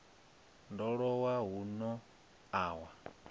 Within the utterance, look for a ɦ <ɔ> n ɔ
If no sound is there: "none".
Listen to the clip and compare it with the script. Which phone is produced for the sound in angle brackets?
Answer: u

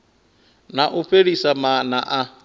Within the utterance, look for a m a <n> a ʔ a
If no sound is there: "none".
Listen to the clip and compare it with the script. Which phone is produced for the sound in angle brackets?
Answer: n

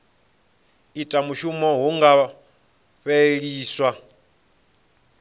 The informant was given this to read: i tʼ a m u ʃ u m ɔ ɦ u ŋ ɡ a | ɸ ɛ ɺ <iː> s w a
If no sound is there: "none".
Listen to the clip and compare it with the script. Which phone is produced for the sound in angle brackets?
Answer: iː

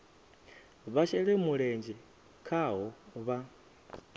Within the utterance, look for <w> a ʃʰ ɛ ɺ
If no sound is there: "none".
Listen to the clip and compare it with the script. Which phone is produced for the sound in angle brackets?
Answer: β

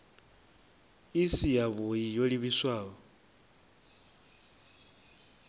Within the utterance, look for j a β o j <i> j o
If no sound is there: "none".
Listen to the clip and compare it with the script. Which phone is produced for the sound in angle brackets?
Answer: i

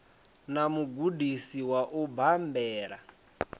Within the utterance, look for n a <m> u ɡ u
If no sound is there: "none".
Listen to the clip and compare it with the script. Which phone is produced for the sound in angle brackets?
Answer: m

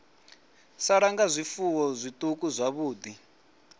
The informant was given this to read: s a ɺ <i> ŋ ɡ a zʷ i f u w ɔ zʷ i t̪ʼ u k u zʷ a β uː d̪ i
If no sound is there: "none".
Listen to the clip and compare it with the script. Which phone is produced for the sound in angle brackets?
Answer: a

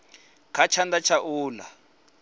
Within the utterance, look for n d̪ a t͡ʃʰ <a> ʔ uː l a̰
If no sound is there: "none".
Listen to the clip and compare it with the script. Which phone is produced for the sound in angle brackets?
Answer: a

